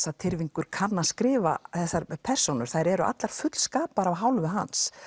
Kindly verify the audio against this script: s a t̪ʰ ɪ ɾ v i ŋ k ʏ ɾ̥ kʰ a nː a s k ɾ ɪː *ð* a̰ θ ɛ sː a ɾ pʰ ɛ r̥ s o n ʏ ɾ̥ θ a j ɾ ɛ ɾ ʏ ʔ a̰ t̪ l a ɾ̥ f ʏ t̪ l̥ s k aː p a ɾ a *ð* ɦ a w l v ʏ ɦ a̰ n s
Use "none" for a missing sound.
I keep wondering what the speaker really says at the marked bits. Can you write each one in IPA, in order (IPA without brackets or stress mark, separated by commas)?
v, v